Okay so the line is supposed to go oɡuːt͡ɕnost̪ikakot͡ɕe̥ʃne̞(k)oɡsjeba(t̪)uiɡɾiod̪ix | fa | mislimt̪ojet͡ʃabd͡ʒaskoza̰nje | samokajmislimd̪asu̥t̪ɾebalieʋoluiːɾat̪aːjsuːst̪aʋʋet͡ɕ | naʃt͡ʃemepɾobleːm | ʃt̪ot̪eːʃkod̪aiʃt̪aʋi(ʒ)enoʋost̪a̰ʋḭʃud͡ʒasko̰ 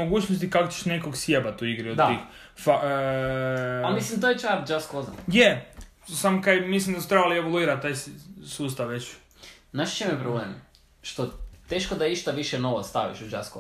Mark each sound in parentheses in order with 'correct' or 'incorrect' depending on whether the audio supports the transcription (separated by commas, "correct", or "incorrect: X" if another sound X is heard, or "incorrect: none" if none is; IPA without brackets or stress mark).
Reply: correct, correct, incorrect: ʃ